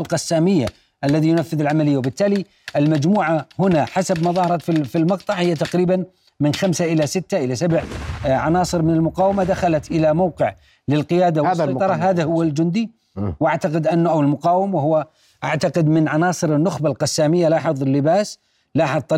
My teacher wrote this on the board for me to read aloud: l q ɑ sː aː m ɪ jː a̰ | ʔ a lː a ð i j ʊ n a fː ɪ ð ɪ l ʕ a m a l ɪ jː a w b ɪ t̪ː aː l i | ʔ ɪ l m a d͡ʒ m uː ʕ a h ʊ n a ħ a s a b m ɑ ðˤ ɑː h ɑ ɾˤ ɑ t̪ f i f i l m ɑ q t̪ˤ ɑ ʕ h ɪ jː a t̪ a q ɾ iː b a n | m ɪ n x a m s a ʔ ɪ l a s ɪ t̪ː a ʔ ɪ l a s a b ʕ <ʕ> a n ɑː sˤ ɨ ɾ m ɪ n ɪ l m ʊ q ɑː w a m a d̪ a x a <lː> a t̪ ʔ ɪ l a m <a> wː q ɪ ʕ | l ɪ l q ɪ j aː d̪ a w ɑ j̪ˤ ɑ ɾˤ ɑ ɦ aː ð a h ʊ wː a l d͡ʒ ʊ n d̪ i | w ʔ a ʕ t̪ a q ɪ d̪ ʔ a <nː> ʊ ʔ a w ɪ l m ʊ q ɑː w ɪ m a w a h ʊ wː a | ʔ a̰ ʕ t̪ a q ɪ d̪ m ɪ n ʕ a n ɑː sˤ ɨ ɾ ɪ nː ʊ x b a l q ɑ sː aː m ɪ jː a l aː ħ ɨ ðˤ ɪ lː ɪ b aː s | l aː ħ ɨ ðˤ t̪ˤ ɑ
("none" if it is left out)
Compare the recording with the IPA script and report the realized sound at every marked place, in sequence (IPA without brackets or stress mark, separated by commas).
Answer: ʕ, l, a, nː